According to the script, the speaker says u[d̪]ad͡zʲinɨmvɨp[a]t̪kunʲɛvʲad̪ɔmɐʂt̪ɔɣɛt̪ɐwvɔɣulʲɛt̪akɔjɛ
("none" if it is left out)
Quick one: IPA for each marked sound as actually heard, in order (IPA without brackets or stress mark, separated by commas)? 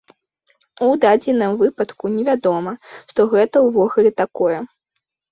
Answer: d̪, ɐ